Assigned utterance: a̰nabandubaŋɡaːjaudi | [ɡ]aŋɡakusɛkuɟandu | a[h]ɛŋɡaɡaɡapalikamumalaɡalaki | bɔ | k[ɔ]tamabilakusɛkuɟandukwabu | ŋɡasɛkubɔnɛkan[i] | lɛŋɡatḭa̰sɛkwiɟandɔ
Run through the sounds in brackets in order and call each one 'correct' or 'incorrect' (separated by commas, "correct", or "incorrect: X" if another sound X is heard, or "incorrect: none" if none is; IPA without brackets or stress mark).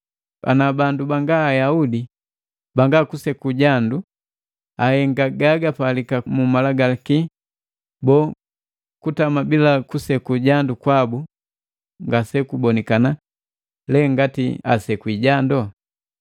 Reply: incorrect: b, correct, incorrect: u, incorrect: a